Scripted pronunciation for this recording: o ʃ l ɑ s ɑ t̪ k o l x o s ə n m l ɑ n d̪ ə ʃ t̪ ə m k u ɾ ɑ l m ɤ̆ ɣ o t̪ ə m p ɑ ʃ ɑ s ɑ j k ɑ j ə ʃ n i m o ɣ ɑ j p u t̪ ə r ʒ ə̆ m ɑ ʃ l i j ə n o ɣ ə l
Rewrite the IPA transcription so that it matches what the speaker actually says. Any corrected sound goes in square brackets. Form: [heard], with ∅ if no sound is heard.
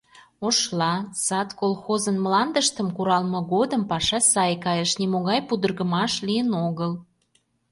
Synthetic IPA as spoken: o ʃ l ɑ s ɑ t̪ k o l x o [z] ə n m l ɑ n d̪ ə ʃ t̪ ə m k u ɾ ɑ l m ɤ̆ ɣ o [d̪] ə m p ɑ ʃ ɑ s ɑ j k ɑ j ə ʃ n i m o ɣ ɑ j p u [d̪] ə r [ɣ] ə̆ m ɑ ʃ l i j ə n o ɣ ə l